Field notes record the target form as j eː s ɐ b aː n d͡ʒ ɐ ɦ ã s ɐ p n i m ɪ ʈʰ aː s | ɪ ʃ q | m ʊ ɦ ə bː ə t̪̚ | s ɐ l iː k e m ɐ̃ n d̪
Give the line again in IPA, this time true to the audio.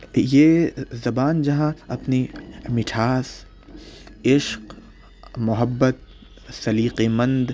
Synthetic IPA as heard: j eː z ɐ b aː n d͡ʒ ɐ ɦ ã ɐ p n i m ɪ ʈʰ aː s | ɪ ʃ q | m ʊ ɦ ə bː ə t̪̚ | s ɐ l iː q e m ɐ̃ n d̪